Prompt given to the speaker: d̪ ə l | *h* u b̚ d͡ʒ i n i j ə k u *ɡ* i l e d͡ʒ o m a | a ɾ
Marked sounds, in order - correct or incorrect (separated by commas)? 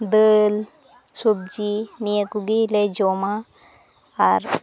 incorrect, correct